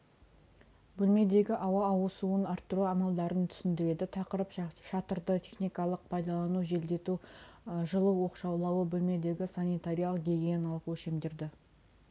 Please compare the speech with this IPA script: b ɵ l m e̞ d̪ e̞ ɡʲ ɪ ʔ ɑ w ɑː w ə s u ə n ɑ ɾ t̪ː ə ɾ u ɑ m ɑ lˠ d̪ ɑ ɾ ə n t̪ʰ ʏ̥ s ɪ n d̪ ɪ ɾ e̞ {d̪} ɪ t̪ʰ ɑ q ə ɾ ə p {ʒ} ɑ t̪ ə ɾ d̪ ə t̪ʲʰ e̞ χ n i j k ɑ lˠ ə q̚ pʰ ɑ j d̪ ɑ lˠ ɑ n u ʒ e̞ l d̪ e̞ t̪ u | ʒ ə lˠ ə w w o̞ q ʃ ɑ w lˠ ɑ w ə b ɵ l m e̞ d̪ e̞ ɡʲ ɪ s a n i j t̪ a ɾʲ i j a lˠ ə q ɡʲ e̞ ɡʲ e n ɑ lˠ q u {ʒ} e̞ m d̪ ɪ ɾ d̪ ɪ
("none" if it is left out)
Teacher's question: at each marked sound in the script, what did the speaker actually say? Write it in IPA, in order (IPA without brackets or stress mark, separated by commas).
d̪, ʃ, ʃ